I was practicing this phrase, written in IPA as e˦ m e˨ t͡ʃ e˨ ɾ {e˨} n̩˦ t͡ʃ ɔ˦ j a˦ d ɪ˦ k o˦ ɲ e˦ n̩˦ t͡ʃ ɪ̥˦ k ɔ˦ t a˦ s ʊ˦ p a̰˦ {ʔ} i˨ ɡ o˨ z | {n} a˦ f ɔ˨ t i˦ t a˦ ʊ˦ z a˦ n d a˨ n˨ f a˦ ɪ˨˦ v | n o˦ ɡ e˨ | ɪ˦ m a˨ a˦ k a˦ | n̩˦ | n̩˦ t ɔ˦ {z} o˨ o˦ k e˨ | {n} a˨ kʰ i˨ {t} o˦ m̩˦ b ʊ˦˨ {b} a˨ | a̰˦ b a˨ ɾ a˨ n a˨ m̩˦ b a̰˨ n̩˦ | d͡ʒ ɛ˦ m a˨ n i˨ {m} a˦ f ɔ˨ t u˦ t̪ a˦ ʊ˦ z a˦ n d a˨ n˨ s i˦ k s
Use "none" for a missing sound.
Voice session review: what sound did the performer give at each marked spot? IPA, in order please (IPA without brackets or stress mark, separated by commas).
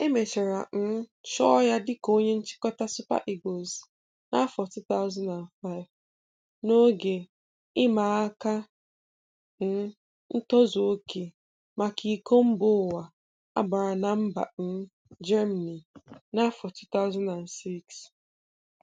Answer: a˨, ʔ, n, z, m, k, w, n